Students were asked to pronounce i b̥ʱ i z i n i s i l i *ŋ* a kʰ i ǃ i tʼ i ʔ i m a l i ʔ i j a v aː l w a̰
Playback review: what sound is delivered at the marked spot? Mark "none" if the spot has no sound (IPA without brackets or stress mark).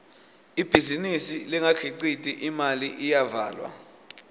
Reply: ŋ